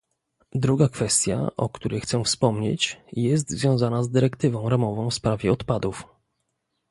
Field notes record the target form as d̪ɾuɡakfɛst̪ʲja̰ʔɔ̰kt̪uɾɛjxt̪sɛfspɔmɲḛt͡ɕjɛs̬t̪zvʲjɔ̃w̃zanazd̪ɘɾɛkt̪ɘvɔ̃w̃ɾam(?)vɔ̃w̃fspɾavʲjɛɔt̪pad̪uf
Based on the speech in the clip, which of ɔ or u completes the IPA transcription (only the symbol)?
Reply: ɔ